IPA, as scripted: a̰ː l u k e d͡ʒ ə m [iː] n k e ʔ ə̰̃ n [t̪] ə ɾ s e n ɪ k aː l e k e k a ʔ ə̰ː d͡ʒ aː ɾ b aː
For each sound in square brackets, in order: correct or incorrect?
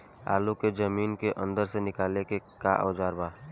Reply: correct, incorrect: d̪

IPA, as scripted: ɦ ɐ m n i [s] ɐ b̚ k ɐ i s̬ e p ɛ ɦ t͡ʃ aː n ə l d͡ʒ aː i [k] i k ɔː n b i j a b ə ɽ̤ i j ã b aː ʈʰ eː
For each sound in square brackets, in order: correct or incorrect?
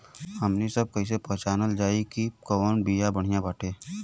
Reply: correct, correct

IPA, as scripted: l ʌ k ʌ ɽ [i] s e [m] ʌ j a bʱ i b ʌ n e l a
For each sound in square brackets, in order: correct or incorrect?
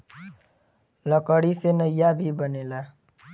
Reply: correct, incorrect: n

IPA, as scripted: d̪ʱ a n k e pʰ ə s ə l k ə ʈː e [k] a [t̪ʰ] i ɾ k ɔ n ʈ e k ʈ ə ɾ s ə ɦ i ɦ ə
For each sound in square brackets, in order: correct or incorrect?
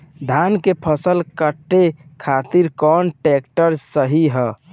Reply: incorrect: kʰ, incorrect: t̪

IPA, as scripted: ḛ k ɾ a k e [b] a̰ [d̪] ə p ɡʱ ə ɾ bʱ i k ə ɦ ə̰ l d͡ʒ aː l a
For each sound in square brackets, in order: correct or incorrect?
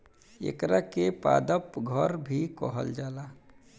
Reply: incorrect: p, correct

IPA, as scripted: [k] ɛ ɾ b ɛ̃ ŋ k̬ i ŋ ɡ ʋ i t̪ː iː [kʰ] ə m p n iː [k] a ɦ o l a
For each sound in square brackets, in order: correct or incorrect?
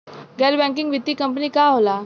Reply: incorrect: ɡ, incorrect: k, correct

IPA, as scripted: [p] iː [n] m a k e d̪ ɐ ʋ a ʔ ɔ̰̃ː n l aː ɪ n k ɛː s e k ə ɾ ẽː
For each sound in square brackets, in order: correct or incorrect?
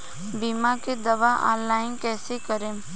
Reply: incorrect: b, incorrect: none

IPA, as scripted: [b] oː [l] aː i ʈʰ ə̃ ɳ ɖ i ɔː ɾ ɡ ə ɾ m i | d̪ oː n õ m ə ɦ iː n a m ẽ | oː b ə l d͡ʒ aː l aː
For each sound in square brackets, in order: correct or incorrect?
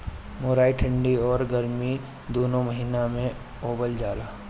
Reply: incorrect: m, incorrect: ɾ

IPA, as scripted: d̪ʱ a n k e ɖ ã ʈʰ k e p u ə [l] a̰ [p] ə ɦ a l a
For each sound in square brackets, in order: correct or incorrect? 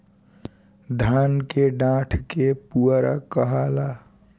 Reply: incorrect: ɾ, incorrect: k

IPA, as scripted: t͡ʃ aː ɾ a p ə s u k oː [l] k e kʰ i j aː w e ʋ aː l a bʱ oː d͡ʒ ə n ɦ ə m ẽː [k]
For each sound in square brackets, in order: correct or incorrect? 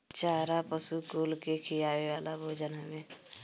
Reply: correct, incorrect: none

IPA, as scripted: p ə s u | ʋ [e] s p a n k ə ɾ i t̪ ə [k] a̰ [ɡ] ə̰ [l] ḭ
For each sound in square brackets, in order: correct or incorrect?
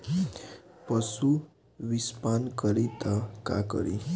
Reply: incorrect: i, correct, incorrect: k, incorrect: ɾ

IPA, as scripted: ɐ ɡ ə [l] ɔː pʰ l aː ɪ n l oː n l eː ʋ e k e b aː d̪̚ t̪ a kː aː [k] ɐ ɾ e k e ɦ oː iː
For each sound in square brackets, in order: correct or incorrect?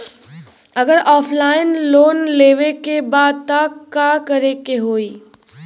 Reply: incorrect: ɾ, correct

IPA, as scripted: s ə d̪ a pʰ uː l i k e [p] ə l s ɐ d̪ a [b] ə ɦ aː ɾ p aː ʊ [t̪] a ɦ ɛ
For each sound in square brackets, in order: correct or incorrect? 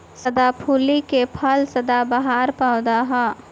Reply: incorrect: pʰ, correct, incorrect: d̪

